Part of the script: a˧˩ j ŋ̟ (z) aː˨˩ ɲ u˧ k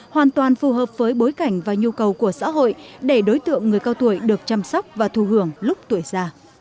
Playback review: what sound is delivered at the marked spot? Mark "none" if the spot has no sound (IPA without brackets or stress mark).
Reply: v